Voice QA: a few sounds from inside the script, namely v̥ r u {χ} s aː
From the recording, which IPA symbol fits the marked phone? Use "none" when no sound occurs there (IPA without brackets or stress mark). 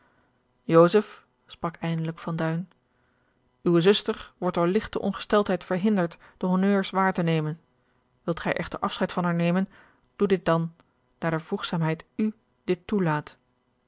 χ